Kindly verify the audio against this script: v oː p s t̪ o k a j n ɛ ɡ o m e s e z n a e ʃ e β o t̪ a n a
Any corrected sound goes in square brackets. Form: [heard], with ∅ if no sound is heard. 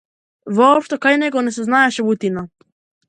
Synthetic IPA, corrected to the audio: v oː p [ʃ] t̪ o k a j n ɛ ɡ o [n] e s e z n a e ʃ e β [u] t̪ [i] n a